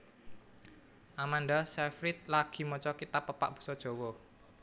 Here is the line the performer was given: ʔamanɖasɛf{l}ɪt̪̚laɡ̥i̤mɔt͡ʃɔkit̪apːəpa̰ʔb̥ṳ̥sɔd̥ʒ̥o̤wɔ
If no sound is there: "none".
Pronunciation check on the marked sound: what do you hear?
ɾ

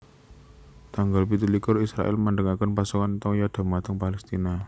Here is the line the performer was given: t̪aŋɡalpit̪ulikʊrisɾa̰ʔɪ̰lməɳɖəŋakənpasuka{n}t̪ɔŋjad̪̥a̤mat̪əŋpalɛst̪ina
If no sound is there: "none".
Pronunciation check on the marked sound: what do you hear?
n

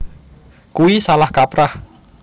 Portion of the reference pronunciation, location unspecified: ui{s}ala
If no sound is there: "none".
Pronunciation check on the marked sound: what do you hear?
s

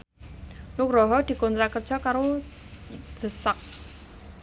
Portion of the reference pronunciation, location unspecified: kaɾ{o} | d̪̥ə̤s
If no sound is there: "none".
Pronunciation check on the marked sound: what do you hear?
o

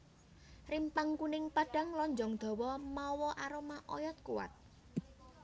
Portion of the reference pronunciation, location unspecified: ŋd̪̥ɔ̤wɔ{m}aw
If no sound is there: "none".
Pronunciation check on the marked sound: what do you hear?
m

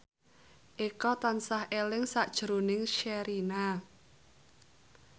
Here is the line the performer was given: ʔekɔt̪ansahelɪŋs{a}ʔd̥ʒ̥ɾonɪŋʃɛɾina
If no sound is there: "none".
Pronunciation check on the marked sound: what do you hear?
a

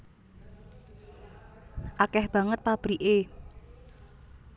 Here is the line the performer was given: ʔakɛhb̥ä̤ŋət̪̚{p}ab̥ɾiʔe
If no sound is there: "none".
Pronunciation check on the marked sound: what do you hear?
p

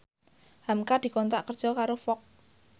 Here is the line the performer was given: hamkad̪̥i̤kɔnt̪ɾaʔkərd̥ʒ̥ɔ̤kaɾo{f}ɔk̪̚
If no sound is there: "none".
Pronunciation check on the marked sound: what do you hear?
f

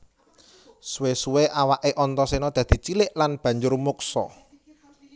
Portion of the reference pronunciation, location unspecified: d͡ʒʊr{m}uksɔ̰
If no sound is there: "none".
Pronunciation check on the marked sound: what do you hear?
m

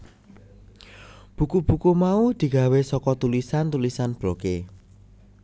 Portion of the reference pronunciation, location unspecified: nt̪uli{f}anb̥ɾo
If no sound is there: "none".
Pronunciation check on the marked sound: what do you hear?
s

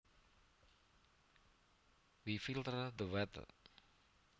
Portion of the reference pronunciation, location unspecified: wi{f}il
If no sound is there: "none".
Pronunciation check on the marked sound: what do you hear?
f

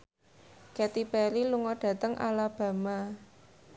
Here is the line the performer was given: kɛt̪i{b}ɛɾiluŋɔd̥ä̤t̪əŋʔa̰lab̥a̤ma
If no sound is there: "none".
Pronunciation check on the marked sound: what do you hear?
p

